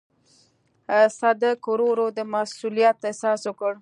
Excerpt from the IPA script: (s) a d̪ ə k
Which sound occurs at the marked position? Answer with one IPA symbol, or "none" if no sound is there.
s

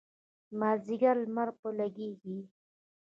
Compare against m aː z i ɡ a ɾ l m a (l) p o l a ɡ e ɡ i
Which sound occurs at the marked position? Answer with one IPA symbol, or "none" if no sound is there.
ɾ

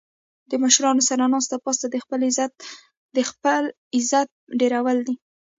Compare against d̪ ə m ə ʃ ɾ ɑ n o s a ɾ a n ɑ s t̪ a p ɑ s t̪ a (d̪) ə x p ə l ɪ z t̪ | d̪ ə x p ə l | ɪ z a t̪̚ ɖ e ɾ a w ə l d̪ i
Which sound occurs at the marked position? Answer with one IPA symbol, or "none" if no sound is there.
d̪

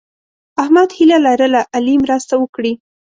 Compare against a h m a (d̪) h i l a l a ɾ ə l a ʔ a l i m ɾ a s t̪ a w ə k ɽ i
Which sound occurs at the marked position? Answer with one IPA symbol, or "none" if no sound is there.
d̪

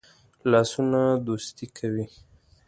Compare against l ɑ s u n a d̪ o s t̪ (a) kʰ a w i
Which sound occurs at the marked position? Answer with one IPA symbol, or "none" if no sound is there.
i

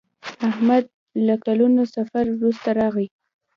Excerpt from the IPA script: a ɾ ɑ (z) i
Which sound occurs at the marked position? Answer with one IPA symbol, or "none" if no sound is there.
ɣ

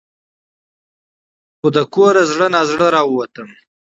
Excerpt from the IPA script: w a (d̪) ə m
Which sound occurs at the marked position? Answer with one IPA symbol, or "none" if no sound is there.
t̪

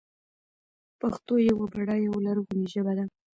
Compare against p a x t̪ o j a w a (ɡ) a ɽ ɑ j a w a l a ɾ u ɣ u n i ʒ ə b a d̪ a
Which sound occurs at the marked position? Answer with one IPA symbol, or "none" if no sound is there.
b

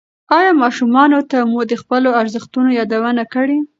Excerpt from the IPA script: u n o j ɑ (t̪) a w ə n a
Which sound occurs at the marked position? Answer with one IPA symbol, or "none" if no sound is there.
d̪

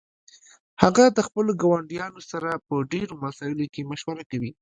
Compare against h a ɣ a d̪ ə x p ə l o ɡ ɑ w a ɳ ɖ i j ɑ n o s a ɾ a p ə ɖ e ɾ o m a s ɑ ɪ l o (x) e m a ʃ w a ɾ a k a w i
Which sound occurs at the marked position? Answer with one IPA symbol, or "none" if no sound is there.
k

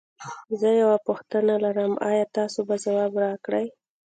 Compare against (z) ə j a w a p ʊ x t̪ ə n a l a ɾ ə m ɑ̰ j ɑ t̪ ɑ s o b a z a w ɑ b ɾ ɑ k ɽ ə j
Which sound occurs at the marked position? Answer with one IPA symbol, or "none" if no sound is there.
z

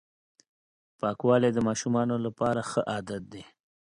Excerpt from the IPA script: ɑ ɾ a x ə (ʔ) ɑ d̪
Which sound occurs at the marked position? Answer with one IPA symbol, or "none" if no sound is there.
ʔ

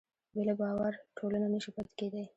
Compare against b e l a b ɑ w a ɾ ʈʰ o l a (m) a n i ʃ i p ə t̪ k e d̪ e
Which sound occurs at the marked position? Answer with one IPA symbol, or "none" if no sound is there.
n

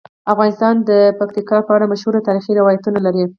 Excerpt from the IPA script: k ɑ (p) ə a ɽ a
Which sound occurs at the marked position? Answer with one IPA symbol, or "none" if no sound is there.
p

